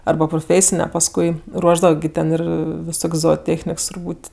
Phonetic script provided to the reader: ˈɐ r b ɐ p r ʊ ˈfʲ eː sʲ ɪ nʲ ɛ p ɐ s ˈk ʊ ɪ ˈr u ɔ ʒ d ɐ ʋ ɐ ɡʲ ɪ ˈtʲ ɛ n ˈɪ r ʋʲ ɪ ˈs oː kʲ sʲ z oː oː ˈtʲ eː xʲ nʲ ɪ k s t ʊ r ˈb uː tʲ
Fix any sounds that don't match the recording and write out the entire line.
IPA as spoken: ˈɐ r b ɐ p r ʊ ˈfʲ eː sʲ ɪ nʲ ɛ p ɐ s ˈk ʊ ɪ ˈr u ɔ ʒ d ɐ ʋ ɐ ɡʲ ɪ ˈtʲ ɛ n ˈɪ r ʋʲ ɪ ˈs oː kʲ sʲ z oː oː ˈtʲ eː xʲ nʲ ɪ k s t ʊ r ˈb uː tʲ